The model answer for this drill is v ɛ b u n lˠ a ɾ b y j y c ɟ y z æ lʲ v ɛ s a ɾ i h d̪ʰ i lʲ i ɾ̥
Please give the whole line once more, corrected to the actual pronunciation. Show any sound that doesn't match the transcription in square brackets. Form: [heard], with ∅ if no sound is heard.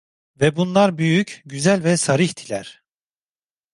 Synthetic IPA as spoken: v ɛ b u n lˠ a ɾ b y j y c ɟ y z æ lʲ v ɛ s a ɾ i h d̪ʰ i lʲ [æ] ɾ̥